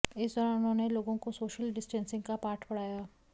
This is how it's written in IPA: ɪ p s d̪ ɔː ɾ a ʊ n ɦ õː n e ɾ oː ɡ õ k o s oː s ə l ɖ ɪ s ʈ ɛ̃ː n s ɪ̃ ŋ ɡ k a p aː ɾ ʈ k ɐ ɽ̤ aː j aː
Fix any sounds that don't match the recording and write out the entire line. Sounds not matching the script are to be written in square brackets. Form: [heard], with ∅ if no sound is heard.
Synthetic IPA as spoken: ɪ [∅] s d̪ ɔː ɾ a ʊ n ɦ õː n e [l] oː ɡ õ k o s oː [ʃ] ə l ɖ ɪ s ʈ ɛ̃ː n s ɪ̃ ŋ ɡ k a p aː ɾ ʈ [p] ɐ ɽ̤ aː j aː